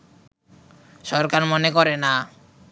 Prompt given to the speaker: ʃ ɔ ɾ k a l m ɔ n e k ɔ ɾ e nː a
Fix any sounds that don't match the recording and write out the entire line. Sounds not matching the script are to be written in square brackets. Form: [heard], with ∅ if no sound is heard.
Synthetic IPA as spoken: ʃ ɔ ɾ k a [ɾ] m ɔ n e k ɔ ɾ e [n] a